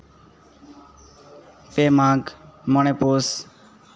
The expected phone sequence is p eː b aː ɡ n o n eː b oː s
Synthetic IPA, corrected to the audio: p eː m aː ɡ m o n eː p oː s